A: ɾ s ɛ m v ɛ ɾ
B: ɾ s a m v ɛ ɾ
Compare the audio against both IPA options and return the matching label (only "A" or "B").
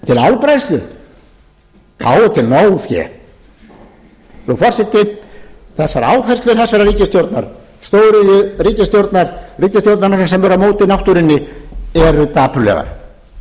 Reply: A